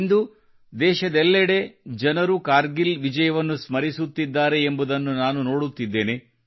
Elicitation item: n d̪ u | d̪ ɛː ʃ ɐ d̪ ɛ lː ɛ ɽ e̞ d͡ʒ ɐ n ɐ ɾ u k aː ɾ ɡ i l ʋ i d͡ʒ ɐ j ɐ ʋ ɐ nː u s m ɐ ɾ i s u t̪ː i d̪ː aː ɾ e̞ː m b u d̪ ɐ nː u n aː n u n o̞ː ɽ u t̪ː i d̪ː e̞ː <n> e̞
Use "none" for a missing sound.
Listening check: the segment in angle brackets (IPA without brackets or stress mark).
n